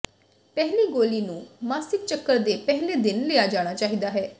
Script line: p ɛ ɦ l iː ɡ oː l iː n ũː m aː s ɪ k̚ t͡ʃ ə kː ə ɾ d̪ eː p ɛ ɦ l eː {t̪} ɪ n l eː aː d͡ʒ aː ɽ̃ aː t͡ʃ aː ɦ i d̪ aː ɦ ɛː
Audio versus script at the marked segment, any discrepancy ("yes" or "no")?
yes